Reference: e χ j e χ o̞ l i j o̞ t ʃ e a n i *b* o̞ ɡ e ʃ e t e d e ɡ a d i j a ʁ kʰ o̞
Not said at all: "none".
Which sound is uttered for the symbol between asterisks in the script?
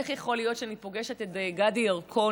p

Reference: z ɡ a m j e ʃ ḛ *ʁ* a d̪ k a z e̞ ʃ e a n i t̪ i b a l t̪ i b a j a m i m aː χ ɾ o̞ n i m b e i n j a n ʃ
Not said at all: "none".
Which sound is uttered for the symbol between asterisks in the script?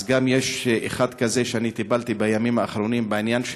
χ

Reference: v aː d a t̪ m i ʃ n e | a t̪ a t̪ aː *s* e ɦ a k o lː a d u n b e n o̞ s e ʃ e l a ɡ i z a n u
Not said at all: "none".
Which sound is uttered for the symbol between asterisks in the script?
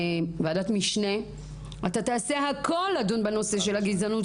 s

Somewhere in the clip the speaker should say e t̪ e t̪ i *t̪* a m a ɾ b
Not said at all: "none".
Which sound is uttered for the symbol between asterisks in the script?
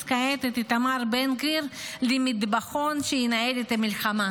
t̪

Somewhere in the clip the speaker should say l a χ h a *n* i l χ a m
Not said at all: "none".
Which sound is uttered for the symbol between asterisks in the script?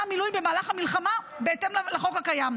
m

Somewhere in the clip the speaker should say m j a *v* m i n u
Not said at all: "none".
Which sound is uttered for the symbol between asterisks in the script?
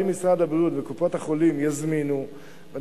z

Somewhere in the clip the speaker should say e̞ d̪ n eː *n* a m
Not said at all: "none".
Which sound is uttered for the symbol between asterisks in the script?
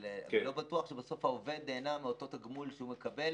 n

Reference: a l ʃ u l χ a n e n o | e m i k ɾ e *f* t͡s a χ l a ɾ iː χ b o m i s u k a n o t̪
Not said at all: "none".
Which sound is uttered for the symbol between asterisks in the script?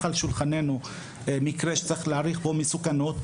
ʃ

